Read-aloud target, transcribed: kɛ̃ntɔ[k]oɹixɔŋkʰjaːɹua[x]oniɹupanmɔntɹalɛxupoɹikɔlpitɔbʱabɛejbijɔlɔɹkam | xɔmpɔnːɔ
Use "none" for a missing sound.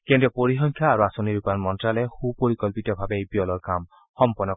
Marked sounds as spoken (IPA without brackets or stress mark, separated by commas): p, s